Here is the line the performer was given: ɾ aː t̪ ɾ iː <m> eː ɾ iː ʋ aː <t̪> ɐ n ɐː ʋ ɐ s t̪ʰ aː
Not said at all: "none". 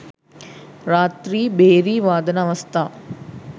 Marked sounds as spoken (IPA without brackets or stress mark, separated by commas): b, d̪